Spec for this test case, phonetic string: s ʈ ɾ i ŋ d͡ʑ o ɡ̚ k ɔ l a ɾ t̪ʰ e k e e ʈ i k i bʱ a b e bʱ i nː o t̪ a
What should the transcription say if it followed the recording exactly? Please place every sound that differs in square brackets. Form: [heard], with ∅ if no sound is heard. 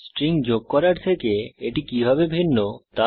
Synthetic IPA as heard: s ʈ ɾ i ŋ d͡ʑ o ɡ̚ k ɔ [ɾ] a ɾ t̪ʰ e k e e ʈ i k i bʱ a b e bʱ i nː o t̪ a